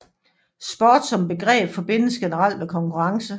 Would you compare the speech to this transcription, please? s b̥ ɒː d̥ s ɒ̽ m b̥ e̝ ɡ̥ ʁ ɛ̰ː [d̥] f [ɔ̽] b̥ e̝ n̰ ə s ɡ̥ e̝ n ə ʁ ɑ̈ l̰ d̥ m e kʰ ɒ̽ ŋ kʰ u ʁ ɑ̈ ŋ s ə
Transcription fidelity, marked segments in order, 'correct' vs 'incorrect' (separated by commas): incorrect, incorrect